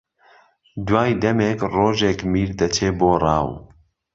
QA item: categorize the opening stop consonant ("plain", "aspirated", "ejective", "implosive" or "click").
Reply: plain